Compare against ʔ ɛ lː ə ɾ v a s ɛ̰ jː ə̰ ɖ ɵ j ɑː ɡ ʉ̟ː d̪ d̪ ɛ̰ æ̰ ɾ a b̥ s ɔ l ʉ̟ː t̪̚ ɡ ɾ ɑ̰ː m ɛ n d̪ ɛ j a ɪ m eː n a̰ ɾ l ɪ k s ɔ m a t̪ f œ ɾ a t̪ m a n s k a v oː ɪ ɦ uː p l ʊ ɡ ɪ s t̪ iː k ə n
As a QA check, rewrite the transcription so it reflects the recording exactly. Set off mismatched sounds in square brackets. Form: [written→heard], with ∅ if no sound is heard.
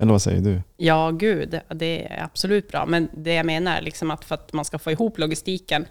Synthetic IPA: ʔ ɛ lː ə ɾ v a s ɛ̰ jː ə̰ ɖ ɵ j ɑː ɡ ʉ̟ː d̪ d̪ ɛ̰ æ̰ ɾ a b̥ s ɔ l ʉ̟ː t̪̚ [ɡ→b] ɾ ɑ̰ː m ɛ n d̪ ɛ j a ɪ m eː n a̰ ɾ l ɪ k s ɔ m a t̪ f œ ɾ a t̪ m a n s k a [v→f] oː ɪ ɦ uː p l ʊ ɡ ɪ s t̪ iː k ə n